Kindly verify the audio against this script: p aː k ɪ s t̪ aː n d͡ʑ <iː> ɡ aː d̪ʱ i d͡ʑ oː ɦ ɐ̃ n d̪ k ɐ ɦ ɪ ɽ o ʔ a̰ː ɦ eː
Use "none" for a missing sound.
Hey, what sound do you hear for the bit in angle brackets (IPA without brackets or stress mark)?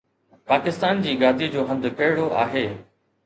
iː